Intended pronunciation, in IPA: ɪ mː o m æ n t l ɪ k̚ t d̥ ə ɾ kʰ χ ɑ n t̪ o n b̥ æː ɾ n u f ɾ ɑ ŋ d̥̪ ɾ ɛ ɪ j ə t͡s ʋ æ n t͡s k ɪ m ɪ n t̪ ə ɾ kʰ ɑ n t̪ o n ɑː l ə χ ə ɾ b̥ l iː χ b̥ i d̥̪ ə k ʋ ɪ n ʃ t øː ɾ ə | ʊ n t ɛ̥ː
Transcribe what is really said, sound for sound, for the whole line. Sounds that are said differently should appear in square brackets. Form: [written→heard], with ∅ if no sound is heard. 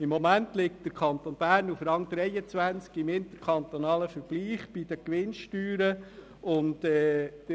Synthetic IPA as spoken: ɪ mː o m æ n t l ɪ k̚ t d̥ ə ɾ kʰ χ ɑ n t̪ o n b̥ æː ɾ n u f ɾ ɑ ŋ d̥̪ ɾ ɛ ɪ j ə t͡s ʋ æ n t͡s k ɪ m ɪ n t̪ ə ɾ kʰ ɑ n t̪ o n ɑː l ə [χ→f] ə ɾ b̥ l iː χ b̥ i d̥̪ ə k ʋ ɪ n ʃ t [øː→yː] ɾ ə | ʊ n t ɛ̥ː

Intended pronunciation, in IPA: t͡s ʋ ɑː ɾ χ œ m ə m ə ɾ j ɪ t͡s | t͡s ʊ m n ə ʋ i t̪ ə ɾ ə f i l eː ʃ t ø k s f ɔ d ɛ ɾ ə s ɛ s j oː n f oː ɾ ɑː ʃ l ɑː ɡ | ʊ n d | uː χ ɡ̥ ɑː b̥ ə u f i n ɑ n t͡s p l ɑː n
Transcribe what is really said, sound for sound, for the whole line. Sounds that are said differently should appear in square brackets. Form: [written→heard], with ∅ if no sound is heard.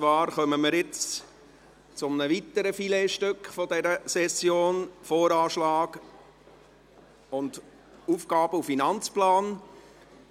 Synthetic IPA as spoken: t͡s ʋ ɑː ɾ χ œ m ə m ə ɾ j ɪ t͡s | t͡s ʊ m n ə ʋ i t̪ ə ɾ ə f i l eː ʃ t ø k [s→χ] f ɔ d ɛ ɾ ə s ɛ s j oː n f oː ɾ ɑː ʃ l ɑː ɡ | ʊ n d | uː [χ→f] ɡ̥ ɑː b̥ ə u f i n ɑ n t͡s p l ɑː n

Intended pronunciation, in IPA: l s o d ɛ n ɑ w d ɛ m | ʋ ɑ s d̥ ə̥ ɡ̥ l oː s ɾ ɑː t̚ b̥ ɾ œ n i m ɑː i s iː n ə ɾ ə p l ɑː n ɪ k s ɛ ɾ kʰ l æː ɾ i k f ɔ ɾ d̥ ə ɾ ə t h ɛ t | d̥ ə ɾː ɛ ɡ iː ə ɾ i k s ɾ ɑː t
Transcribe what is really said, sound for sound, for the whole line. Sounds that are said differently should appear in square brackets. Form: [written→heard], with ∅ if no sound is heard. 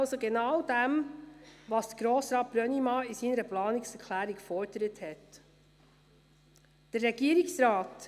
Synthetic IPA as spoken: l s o [d→ɡ] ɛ n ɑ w d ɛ m | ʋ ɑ s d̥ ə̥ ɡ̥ [l→ɾ] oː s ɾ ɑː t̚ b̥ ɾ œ n i m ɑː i s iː n ə ɾ ə p l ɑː n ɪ k s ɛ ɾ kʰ l æː ɾ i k f ɔ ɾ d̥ ə ɾ ə t h ɛ t | d̥ ə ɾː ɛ ɡ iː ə ɾ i k s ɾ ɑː t

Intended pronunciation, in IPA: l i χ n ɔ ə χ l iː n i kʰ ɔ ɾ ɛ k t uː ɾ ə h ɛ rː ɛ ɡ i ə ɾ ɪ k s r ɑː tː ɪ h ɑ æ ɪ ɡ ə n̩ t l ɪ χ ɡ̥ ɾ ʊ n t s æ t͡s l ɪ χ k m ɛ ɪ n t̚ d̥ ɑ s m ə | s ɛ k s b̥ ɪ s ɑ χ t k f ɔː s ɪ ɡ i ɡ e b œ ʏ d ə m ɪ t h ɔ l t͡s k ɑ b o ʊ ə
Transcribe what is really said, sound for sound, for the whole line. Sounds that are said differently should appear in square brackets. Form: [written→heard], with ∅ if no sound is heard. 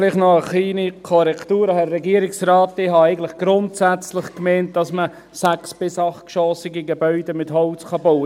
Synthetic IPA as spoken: l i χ n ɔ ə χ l iː n i kʰ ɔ ɾ ɛ k t uː ɾ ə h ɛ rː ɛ ɡ i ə ɾ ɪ k s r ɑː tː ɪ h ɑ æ ɪ ɡ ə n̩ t l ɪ χ ɡ̥ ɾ ʊ n t s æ t͡s l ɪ χ k m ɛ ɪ n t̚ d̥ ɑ s m ə | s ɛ k s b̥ ɪ s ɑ χ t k [f→ʃ] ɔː s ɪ ɡ i ɡ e b œ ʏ d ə m ɪ t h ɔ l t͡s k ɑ b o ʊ ə

